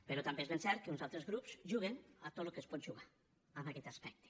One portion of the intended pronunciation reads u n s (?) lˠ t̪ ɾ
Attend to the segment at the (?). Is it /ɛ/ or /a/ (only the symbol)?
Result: a